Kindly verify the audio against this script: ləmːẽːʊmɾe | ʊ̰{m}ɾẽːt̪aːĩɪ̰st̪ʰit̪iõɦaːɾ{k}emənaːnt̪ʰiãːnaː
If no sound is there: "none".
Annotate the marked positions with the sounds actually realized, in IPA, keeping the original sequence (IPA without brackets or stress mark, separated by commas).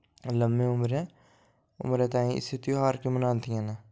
m, k